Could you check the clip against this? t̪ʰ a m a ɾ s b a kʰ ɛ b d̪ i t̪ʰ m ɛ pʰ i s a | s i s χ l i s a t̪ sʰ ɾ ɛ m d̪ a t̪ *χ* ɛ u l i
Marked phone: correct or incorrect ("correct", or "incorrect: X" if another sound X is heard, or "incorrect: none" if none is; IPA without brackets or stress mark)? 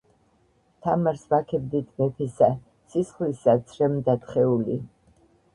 correct